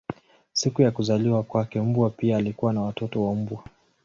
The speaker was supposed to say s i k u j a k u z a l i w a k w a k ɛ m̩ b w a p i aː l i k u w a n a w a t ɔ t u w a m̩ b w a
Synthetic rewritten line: s i k u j a k u z a l i w a k w a k ɛ m̩ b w a p i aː l i k u w a n a w a t ɔ t ɔ w a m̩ b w a